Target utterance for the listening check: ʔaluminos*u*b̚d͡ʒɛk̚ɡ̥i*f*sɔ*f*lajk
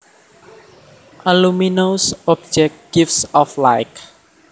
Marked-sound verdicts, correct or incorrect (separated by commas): incorrect, correct, correct